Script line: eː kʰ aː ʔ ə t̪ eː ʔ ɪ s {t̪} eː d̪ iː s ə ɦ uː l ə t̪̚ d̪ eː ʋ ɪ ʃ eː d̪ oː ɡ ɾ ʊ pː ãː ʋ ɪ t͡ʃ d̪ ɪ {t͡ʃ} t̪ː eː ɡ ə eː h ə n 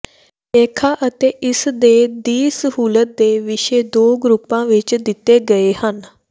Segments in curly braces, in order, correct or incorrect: incorrect: d̪, incorrect: none

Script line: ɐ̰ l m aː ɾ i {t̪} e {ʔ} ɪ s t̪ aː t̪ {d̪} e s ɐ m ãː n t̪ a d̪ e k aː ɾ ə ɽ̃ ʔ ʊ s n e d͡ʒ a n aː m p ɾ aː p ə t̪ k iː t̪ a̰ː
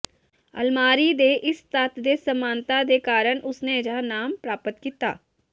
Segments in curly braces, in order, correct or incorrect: incorrect: d̪, correct, correct

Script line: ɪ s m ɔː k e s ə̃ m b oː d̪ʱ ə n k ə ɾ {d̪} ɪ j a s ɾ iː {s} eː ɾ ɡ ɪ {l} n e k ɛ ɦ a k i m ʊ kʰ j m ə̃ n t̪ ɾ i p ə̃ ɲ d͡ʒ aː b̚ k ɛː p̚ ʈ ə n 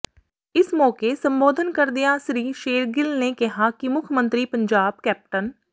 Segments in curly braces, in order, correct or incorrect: correct, incorrect: ʃ, correct

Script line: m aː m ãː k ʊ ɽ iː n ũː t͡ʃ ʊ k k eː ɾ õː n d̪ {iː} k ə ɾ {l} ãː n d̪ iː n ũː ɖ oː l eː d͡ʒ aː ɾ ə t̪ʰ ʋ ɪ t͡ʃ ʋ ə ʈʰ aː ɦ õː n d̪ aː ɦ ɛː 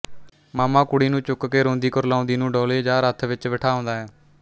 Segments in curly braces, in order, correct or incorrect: correct, correct

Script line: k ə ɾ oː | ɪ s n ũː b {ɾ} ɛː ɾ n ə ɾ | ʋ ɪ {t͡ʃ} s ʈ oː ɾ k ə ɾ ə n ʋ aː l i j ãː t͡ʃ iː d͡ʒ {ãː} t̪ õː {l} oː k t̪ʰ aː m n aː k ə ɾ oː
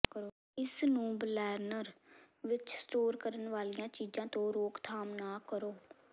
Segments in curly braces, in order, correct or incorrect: incorrect: l, correct, correct, incorrect: ɾ

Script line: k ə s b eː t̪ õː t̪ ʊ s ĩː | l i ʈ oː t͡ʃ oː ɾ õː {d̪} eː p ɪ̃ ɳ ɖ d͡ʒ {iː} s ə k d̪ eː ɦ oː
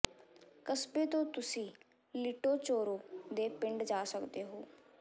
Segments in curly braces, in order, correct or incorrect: correct, incorrect: aː

